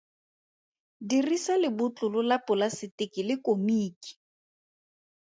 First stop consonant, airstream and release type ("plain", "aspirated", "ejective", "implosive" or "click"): plain